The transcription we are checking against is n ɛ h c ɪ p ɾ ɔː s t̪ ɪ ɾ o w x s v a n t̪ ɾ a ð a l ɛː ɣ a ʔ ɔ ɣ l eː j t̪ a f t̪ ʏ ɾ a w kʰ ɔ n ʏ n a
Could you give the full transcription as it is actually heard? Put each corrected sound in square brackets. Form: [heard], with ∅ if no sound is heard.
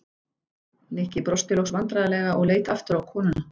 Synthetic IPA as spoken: n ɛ h c ɪ p ɾ [ɔ] s t̪ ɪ [l] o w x s v a n t̪ ɾ a ð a l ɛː ɣ a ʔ ɔ ɣ l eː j t̪ a f t̪ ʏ ɾ a w kʰ [ɔː] n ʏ n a

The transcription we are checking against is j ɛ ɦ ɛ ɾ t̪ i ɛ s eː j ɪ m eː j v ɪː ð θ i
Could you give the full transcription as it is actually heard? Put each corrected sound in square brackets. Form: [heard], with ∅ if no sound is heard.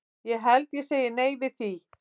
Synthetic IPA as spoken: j ɛ ɦ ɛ [l] t̪ [j] ɛ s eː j ɪ [n] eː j v [ɪ] ð θ i

